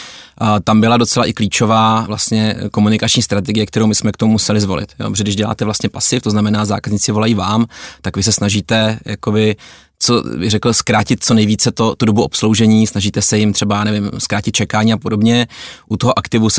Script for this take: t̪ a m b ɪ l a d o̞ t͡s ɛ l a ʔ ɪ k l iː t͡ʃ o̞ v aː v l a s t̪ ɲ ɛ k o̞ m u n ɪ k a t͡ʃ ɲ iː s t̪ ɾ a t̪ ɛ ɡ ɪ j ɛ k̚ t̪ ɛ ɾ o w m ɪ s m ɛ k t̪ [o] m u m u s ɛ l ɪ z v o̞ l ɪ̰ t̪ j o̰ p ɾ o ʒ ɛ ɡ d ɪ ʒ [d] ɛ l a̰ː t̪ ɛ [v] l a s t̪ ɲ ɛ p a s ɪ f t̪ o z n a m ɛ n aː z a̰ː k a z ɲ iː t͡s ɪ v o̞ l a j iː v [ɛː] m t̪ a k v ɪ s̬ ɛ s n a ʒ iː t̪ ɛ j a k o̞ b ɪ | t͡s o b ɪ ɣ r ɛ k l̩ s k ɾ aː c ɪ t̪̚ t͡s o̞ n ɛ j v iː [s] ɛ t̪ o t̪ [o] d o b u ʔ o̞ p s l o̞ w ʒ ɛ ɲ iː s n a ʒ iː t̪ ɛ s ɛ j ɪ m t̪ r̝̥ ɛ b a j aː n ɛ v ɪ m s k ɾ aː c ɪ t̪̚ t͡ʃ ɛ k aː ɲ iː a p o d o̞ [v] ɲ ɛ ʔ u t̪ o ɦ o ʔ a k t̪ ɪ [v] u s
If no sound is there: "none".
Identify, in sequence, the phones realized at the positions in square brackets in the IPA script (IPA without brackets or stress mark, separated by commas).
o, ɟ, v, aː, t͡s, u, b, v